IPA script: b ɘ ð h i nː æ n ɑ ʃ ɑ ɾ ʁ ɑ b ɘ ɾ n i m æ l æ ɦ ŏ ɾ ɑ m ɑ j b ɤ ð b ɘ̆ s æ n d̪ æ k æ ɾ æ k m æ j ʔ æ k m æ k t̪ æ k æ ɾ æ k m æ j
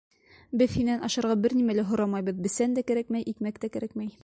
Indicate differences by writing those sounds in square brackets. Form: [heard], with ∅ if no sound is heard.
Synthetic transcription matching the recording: b ɘ ð h i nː æ n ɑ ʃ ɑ ɾ ʁ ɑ b ɘ ɾ n i m æ l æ ɦ ŏ ɾ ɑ m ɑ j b ɤ ð b ɘ̆ s æ n d̪ æ k æ ɾ æ k m æ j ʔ [i] k m æ k t̪ æ k æ ɾ æ k m æ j